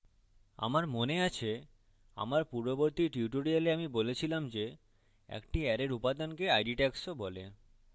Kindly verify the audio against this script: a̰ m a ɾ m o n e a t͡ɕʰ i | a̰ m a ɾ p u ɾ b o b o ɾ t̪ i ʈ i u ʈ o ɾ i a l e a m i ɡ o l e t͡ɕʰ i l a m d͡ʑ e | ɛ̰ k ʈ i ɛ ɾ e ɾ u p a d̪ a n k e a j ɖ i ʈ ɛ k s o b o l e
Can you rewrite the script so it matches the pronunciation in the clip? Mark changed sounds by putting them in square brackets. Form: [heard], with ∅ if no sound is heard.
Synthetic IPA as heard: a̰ m a ɾ m o n e a t͡ɕʰ [e] | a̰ m a ɾ p u ɾ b o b o ɾ t̪ i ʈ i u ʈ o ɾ i a l e a m i [b] o l e t͡ɕʰ i l a m d͡ʑ e | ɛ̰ k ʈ i ɛ ɾ e ɾ u p a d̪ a n k e a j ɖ i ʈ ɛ k s o b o l e